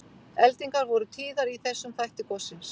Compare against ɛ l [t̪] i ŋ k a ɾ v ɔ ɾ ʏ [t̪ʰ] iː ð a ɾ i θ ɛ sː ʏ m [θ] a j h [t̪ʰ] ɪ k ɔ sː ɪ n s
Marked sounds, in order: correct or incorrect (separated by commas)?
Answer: correct, correct, correct, incorrect